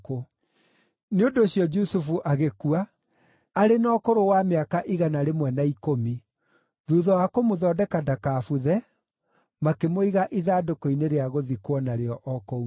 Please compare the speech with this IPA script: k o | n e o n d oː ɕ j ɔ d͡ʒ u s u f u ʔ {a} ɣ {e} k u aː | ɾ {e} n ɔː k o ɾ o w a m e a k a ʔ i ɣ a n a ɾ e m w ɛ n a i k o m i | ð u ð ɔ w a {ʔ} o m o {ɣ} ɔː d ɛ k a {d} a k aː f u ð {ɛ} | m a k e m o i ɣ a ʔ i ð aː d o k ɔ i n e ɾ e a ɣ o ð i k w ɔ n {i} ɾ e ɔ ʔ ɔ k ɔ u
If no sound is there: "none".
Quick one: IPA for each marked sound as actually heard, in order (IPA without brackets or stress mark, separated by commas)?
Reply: a, e, e, k, ð, d, ɛ, a